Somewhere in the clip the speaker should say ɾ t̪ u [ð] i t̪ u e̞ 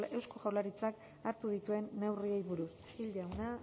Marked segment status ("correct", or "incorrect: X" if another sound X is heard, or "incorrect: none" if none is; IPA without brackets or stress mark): correct